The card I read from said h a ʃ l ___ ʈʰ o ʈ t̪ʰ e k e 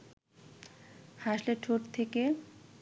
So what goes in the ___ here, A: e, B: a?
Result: A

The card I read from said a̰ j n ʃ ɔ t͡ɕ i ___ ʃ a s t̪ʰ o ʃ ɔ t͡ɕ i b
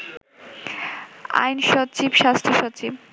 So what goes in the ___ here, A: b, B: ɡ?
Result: A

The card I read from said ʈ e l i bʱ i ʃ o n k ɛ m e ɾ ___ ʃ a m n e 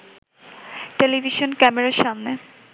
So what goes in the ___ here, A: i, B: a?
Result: B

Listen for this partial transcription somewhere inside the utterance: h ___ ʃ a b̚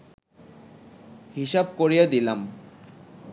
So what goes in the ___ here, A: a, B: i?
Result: B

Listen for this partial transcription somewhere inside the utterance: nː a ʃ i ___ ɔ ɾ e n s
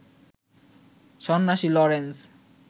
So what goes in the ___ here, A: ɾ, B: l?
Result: B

